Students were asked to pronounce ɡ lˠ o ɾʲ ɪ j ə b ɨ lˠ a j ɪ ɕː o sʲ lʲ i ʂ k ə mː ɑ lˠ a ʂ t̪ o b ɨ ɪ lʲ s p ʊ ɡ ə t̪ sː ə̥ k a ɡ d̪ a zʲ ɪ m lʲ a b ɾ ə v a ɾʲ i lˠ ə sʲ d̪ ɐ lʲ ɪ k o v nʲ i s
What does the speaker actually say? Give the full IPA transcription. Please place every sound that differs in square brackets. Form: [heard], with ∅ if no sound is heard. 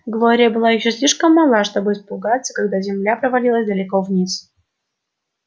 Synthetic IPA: ɡ lˠ o ɾʲ ɪ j ə b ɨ lˠ a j ɪ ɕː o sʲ lʲ i ʂ k ə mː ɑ lˠ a ʂ t̪ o b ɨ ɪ [∅] s p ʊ ɡ [a] t̪ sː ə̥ k a ɡ d̪ a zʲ ɪ m lʲ a [p] ɾ ə v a [lʲ] i lˠ ə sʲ d̪ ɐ lʲ ɪ k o v nʲ i s